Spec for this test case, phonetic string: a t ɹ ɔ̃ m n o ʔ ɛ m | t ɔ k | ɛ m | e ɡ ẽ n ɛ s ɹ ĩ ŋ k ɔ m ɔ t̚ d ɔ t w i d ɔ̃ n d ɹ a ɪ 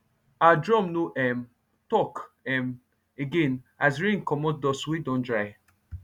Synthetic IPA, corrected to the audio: a d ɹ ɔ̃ m n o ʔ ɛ m | t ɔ k | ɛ m | e ɡ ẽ n a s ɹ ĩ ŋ k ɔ m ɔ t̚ d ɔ s w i d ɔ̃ n d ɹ a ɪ